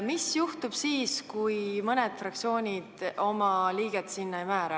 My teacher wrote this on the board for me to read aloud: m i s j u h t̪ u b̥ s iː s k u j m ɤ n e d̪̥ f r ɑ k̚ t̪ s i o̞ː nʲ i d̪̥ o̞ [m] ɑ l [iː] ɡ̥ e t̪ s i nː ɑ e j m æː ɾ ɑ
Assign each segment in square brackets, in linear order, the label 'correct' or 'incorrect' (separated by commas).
correct, correct